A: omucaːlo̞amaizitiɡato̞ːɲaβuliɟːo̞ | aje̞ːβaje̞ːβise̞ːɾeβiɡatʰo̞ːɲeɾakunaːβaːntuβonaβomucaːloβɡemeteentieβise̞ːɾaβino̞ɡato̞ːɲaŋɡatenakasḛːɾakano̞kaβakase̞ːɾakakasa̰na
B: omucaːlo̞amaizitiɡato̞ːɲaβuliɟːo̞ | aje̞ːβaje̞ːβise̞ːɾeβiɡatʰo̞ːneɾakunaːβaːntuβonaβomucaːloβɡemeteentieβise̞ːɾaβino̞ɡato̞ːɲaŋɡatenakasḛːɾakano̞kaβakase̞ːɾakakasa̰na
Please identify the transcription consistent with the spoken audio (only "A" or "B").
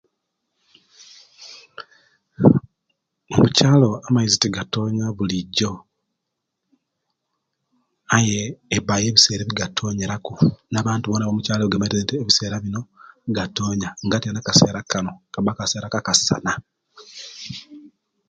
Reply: A